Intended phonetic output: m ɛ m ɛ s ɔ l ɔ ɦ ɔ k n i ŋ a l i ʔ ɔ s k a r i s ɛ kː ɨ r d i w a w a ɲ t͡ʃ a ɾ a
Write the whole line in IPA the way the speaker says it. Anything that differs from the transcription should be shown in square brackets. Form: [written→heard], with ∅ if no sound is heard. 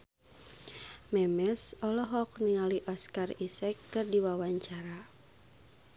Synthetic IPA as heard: m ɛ m ɛ s ɔ l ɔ ɦ ɔ k n i ŋ a l i ʔ ɔ s k a r i s ɛ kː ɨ r d i w a w a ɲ t͡ʃ a ɾ a